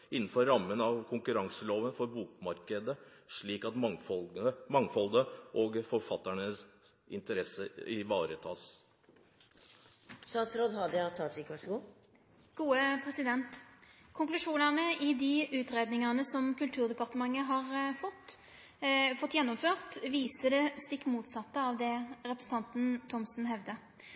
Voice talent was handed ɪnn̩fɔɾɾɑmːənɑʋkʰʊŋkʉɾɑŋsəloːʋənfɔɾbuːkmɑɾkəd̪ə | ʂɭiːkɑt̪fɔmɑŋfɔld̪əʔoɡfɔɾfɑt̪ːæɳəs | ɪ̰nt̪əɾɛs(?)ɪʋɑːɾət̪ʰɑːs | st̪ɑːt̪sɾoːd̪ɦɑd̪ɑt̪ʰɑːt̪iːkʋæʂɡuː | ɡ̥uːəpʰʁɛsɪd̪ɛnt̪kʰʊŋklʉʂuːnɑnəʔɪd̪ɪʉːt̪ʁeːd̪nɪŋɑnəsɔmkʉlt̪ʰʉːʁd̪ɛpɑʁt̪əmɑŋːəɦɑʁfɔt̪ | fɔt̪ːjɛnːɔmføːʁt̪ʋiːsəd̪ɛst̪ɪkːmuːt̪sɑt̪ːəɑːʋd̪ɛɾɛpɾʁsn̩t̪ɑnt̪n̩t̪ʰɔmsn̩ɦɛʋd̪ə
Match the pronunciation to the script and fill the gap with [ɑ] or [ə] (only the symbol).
ə